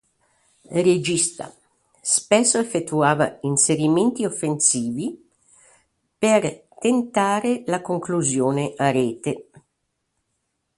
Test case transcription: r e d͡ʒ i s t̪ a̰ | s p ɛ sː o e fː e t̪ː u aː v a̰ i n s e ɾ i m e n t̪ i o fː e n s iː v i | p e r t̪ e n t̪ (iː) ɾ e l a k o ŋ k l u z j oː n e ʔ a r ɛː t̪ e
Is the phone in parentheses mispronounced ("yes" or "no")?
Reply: yes